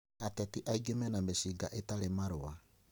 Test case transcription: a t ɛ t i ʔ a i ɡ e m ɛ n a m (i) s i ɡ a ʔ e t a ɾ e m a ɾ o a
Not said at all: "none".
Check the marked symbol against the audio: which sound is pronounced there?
e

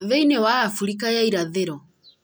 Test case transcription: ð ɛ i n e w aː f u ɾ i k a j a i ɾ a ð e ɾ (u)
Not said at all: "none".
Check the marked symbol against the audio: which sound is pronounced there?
ɔ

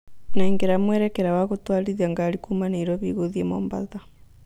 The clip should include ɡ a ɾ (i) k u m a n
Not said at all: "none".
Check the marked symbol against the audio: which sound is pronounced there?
i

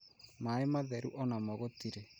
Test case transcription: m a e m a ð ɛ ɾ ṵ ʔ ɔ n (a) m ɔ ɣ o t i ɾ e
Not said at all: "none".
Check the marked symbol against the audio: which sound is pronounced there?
a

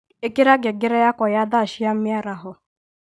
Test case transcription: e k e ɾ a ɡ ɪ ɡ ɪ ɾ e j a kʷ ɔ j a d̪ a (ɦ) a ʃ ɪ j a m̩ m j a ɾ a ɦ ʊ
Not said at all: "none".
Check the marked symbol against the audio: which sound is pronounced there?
none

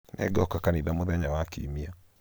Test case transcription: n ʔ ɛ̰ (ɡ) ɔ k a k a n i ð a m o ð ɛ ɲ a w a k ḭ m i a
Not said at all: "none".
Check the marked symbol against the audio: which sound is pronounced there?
ɡ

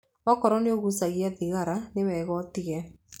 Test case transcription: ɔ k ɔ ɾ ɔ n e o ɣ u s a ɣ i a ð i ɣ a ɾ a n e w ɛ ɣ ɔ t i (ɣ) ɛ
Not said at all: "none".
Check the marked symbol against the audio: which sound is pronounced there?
ɣ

